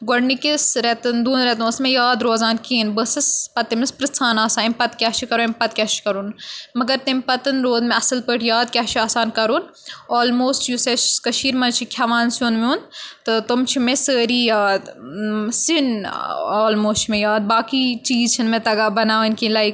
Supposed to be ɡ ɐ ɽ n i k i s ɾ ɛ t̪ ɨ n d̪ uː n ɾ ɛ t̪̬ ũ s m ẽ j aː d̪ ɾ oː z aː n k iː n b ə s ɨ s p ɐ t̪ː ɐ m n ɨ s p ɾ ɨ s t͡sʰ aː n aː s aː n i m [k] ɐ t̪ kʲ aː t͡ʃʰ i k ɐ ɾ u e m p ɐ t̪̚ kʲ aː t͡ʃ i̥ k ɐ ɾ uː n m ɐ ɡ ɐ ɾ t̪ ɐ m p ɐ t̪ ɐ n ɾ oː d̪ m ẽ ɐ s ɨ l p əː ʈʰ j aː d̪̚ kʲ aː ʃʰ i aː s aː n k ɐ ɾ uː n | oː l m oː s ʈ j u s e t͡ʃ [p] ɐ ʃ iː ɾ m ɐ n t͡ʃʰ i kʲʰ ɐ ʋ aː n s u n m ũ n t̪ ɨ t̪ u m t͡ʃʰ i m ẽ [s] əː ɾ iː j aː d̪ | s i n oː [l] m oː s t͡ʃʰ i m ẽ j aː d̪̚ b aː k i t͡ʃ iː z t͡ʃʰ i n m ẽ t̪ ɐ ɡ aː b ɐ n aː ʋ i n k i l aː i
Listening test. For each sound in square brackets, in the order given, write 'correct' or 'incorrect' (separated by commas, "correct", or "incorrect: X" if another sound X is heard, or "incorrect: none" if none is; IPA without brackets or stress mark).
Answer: incorrect: p, incorrect: k, correct, correct